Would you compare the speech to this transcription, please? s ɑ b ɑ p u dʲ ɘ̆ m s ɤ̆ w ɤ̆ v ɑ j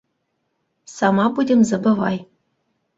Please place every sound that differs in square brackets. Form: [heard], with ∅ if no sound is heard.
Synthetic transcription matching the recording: s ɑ [m] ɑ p u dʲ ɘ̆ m [z] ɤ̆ [b] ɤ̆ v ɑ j